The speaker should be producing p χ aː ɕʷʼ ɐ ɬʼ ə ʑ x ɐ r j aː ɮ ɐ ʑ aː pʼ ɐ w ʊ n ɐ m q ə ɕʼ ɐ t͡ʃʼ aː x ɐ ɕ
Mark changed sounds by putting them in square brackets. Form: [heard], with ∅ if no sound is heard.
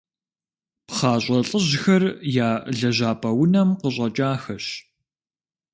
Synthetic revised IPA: p χ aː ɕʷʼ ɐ ɬʼ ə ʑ x ɐ r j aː ɮ ɐ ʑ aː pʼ ɐ w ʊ n ɐ m q ə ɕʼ ɐ t͡ʃʼ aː x ɐ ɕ

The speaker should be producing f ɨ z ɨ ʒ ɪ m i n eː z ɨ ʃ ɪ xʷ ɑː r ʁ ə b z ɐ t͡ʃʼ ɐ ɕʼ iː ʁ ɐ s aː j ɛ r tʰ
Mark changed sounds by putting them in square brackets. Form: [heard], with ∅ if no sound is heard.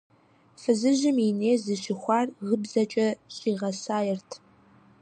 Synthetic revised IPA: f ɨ z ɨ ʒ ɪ m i n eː z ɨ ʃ ɪ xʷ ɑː r ʁ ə b z ɐ t͡ʃʼ ɐ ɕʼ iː ʁ ɐ s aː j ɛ r tʰ

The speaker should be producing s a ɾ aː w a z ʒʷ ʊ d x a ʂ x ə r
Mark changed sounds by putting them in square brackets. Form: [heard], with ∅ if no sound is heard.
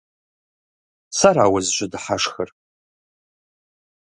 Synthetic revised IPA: s a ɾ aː w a z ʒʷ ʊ d [ħ] a ʂ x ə r

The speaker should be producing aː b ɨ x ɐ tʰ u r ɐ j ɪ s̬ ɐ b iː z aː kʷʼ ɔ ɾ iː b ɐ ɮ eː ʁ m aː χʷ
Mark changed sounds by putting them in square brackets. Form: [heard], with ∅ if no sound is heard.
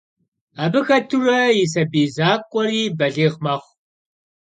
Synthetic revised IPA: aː b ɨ x ɐ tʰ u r ɐ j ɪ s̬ ɐ b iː z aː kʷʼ ɔ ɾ iː b ɐ ɮ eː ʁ m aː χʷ

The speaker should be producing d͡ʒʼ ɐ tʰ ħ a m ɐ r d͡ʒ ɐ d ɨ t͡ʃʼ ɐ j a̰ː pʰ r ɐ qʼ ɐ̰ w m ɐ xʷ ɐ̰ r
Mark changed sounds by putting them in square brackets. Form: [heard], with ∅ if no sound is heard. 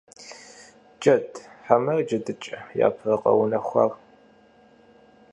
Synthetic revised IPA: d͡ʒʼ ɐ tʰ ħ a m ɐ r d͡ʒ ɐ d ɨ t͡ʃʼ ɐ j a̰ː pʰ r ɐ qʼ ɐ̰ w [n] ɐ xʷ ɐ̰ r

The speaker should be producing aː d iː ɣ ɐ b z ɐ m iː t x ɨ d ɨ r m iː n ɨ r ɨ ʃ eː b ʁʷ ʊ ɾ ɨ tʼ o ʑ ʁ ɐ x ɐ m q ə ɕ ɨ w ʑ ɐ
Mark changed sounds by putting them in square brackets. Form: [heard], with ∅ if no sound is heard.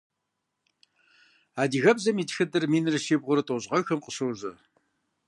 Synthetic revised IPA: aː d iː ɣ ɐ b z ɐ m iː t x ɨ d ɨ r m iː n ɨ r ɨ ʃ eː b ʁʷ ʊ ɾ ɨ tʼ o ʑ ʁ ɐ x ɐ m q ə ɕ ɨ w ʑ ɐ

